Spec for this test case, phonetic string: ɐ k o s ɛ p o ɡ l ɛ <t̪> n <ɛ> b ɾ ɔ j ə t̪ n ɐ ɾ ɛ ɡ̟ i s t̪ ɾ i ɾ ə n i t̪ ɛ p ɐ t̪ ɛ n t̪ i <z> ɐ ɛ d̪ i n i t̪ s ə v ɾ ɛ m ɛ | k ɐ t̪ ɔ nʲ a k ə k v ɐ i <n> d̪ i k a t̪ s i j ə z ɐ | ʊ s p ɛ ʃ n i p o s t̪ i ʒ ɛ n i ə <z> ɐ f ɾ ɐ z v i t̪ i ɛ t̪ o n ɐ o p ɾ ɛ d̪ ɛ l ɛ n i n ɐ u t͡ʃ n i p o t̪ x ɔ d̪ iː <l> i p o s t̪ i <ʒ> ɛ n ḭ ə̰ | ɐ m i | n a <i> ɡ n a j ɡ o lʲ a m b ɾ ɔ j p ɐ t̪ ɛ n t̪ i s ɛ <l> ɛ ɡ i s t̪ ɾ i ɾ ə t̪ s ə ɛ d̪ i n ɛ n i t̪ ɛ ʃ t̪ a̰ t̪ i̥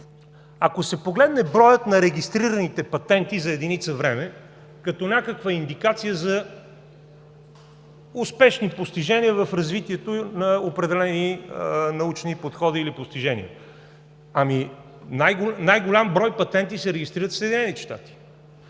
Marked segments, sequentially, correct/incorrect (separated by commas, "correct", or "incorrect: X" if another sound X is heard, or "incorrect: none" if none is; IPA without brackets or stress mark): incorrect: d̪, correct, correct, correct, incorrect: v, correct, correct, incorrect: j, incorrect: ɾ